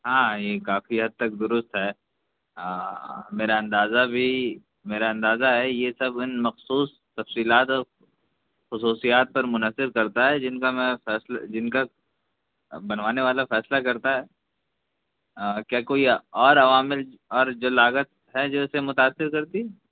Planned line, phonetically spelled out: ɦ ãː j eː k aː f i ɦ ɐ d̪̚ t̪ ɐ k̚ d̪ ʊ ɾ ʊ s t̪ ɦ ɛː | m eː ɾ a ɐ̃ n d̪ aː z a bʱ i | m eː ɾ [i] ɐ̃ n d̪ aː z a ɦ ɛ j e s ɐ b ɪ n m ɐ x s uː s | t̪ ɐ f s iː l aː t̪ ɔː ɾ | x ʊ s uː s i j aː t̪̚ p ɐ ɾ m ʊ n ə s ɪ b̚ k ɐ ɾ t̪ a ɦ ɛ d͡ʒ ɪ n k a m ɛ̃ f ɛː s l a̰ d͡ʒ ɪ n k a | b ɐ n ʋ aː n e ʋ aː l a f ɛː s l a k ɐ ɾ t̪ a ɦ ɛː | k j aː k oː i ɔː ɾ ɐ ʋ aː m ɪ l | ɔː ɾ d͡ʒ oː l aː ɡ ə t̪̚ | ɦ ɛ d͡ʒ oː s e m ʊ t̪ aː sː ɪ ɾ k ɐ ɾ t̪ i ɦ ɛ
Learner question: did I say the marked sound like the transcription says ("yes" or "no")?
no